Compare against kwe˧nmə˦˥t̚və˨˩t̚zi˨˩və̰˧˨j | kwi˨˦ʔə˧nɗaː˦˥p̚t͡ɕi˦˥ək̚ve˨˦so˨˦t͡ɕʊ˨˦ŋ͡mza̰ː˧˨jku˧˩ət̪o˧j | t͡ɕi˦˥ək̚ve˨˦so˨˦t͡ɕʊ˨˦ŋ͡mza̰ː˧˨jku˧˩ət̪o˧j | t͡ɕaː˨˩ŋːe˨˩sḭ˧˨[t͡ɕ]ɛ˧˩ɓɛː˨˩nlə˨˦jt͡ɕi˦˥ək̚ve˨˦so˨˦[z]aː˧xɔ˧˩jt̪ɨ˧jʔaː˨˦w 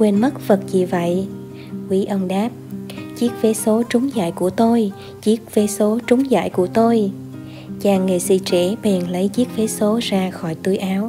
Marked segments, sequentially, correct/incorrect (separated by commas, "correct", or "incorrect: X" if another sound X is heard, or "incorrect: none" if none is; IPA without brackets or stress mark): correct, correct